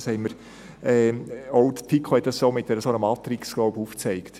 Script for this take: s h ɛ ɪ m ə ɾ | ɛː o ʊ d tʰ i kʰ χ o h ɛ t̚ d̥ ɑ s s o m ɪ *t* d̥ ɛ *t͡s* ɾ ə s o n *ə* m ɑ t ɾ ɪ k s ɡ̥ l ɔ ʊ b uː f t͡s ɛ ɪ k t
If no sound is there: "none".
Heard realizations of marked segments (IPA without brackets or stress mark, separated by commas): t, none, ə